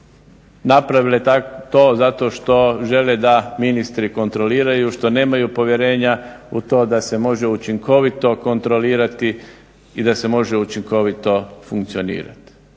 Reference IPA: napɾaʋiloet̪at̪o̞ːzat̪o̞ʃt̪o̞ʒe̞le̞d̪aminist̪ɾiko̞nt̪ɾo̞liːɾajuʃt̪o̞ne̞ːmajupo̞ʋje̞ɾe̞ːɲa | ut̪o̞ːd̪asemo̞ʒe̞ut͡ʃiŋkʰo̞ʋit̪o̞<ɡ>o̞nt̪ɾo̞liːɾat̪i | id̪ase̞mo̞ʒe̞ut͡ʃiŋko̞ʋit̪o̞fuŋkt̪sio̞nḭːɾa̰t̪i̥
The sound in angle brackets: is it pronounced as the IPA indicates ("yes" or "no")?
no